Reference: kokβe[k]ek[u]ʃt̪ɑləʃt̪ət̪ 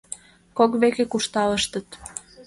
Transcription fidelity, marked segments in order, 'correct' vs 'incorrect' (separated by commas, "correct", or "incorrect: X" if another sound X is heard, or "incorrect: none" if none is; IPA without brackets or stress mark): correct, correct